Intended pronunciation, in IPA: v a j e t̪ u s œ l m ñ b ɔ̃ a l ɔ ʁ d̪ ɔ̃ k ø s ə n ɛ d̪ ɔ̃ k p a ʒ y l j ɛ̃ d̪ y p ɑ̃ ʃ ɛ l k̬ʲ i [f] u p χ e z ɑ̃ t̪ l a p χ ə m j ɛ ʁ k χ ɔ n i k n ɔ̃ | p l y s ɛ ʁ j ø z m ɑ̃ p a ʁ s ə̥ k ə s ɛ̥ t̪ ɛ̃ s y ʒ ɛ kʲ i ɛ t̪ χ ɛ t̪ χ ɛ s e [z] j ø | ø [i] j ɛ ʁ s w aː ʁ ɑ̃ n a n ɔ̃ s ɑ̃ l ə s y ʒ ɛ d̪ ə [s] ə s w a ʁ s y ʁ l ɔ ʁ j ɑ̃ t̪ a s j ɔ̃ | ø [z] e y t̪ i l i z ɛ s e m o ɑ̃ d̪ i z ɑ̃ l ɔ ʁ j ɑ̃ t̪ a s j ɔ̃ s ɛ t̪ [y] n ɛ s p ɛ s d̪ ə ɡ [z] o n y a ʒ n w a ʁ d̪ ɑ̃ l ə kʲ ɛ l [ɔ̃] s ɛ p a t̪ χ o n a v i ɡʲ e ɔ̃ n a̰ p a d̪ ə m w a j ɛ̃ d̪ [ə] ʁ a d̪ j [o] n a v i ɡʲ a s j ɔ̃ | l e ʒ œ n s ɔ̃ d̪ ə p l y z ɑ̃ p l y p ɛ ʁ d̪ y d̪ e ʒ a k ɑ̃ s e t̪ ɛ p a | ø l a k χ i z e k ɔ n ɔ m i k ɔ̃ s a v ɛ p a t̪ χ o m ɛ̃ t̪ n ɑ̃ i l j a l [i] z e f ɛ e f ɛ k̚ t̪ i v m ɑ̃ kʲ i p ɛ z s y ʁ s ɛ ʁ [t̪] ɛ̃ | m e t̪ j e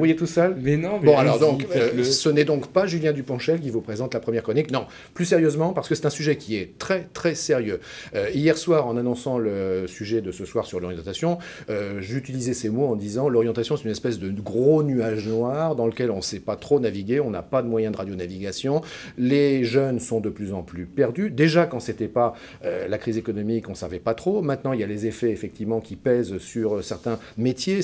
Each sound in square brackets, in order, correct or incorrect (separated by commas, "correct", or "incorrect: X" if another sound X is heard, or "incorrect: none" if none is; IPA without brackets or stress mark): incorrect: v, incorrect: ʁ, correct, correct, incorrect: ʒ, correct, incorrect: ʁ, correct, correct, correct, incorrect: e, correct